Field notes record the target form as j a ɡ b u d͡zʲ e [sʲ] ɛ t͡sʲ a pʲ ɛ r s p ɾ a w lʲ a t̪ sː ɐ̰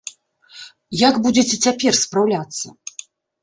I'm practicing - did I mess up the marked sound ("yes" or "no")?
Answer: yes